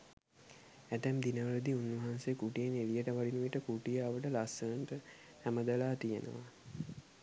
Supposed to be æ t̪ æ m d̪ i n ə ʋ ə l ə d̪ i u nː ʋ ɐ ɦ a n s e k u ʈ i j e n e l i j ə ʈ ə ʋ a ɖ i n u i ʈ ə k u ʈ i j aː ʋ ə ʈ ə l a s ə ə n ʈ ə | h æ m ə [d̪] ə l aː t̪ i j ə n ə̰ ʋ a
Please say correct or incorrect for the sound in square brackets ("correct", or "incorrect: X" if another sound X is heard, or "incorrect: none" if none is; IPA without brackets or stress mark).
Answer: correct